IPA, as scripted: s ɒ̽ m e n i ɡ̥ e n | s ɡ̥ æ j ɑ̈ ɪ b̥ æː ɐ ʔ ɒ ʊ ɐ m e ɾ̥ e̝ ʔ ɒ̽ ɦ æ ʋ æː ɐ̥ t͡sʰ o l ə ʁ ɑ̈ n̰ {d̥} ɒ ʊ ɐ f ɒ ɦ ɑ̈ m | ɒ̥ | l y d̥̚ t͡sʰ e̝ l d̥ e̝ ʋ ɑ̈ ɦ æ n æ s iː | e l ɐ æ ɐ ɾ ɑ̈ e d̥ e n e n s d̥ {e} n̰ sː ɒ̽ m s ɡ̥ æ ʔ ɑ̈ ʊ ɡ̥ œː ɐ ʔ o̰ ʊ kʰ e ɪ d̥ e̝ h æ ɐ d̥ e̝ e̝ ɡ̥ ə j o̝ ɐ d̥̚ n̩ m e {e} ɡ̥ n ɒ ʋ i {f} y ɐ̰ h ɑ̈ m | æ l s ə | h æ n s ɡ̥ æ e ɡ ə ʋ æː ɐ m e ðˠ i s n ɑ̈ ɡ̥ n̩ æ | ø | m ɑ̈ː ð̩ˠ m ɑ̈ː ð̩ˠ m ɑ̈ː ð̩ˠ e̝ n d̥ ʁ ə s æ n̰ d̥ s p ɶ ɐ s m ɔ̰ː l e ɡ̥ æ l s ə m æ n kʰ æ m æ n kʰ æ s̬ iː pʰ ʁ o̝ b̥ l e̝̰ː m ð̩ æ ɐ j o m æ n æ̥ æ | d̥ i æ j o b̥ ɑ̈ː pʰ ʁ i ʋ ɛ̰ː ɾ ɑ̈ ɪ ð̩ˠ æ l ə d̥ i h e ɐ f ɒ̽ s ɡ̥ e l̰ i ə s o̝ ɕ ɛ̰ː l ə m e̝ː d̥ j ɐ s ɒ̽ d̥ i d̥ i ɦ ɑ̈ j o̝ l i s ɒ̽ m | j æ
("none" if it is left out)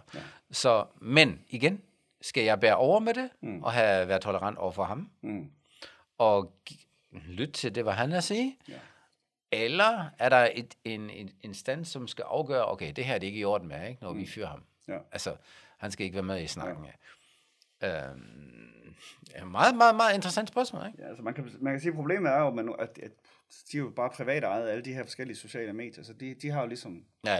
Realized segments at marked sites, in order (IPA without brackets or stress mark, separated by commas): d̥, æ, e, f